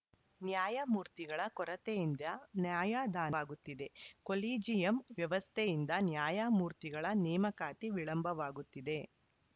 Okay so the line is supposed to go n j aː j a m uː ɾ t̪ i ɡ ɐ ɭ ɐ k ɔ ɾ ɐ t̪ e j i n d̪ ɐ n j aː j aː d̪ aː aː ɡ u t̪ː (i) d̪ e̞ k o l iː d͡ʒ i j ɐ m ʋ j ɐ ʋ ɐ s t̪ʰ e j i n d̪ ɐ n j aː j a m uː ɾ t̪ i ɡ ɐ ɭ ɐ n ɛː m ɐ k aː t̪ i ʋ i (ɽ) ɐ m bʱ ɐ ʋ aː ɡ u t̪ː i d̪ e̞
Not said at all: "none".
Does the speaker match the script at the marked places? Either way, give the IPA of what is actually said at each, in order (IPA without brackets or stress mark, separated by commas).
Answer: i, ɭ